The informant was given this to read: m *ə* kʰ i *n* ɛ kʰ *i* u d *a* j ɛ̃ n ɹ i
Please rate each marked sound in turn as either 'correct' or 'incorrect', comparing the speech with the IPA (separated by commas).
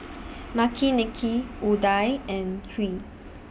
incorrect, correct, correct, correct